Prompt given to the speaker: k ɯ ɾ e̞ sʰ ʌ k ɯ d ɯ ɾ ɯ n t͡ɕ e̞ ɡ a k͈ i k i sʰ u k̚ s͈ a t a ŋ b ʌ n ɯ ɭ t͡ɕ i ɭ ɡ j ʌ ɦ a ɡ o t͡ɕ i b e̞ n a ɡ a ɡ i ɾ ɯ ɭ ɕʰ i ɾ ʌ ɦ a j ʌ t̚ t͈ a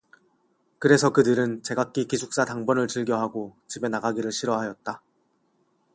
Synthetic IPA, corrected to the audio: k ɯ ɾ e̞ sʰ ʌ k ɯ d ɯ ɾ ɯ n t͡ɕ e̞ ɡ a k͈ i k i sʰ u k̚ s͈ a t a ŋ b ʌ n ɯ ɭ t͡ɕ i ɭ ɡ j ʌ ɦ a ɡ o t͡ɕ i b e̞ n a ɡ a ɡ i ɾ ɯ ɭ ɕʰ i ɾ ʌ ɦ a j ʌ t̚ t͈ a